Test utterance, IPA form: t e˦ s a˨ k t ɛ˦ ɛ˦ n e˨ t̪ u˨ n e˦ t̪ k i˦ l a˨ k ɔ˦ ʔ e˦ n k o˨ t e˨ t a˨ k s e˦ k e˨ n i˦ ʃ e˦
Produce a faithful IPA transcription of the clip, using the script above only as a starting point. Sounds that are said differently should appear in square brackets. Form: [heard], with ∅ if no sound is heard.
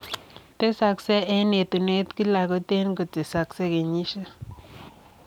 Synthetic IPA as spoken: t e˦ s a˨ k [s] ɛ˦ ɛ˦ n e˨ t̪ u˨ n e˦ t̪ k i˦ l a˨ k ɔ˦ [t] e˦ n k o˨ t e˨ [s] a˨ k s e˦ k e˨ [ɲ] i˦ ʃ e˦